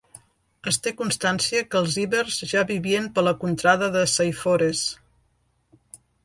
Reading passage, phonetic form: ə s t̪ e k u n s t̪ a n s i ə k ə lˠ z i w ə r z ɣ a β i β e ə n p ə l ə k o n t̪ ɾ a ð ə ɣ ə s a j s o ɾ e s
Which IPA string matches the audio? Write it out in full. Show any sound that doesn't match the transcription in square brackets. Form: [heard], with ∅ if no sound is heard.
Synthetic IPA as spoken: ə s t̪ e k u n s t̪ a n s i ə k ə lˠ z i [β] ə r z [ʒ] a β i β [i] ə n p ə l ə k [u] n t̪ ɾ a ð ə [ð] ə s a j [f] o ɾ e s